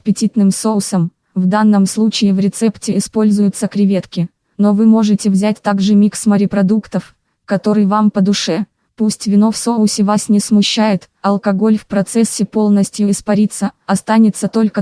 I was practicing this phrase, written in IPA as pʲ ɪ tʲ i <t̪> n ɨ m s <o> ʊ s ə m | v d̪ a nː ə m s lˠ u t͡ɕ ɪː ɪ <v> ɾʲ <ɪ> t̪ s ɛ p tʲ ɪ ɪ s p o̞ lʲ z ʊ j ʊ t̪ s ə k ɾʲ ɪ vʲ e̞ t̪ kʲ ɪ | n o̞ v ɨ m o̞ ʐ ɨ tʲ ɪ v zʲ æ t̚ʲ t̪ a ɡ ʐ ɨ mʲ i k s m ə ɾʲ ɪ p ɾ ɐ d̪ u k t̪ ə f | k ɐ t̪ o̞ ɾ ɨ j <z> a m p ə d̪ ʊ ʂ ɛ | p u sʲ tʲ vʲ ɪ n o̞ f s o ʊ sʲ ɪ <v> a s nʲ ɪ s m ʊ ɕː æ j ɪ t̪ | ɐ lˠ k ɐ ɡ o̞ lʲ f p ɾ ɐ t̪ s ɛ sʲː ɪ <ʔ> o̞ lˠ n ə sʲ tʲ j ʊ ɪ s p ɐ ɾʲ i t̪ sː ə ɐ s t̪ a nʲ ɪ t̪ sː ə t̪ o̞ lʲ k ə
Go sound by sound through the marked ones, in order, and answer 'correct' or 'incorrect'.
correct, correct, correct, correct, incorrect: v, correct, incorrect: p

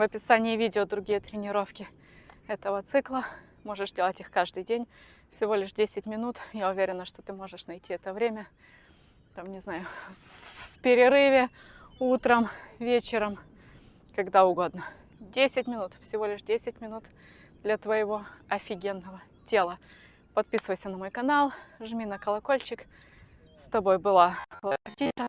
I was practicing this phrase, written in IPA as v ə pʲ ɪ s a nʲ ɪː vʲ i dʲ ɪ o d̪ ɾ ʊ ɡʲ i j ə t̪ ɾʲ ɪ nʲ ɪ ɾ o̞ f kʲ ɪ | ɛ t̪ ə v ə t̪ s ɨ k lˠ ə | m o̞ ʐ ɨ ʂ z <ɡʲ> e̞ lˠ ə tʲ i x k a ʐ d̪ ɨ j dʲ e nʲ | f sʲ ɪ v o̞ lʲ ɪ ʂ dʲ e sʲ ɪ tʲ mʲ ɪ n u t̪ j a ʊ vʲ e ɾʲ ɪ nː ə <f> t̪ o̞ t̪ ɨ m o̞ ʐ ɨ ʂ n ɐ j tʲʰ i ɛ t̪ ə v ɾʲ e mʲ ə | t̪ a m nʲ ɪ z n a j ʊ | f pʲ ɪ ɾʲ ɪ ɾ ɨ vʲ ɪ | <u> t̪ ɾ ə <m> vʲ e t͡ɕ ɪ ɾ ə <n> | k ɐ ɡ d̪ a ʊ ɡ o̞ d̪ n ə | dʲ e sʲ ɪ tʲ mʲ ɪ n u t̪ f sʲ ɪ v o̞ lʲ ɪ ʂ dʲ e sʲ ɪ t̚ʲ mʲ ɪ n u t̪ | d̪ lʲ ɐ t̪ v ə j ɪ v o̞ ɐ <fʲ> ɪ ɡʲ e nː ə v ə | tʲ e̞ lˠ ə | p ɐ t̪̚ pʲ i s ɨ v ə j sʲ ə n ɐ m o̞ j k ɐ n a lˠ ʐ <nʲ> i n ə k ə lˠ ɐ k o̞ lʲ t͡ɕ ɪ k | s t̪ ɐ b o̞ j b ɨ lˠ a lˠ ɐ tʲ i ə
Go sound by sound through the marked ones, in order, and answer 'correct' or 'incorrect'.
incorrect: dʲ, incorrect: ʂ, correct, correct, incorrect: m, correct, incorrect: mʲ

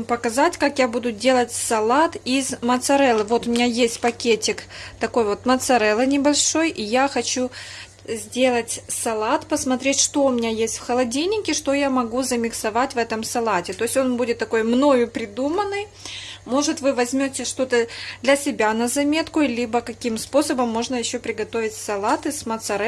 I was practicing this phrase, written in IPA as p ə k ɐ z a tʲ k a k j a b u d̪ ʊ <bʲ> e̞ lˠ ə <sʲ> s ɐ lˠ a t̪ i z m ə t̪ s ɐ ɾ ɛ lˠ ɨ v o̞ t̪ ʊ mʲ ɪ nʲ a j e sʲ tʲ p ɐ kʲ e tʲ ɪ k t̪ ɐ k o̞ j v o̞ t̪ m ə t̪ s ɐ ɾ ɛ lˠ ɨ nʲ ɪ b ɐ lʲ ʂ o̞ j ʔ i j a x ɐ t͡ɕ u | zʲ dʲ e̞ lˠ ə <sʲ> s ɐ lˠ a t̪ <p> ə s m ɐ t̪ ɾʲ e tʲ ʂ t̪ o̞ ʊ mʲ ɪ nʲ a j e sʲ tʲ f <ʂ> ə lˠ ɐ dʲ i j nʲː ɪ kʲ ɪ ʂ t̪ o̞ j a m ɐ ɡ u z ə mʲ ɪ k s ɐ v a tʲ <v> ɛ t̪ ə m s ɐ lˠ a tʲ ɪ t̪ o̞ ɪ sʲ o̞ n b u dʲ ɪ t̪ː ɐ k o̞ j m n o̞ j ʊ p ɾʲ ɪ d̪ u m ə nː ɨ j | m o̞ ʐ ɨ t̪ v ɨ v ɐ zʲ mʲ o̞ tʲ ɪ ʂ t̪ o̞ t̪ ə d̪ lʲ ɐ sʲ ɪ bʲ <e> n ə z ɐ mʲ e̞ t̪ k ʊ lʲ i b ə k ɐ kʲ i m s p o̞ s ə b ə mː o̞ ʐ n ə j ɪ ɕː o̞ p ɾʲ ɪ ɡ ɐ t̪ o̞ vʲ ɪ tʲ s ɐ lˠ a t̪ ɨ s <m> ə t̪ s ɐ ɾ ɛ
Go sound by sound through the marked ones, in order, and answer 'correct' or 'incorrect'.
incorrect: dʲ, incorrect: tʲ, incorrect: tʲ, correct, incorrect: x, correct, incorrect: a, correct

